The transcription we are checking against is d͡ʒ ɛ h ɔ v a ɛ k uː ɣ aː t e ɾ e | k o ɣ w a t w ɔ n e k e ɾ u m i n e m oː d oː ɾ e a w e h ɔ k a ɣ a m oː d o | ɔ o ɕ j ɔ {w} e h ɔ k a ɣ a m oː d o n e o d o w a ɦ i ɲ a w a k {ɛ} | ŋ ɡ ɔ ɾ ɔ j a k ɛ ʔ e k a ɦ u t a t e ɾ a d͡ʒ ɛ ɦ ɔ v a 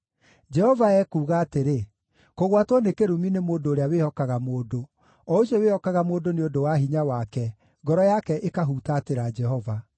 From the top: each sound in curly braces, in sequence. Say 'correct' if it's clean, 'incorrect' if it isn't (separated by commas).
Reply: correct, correct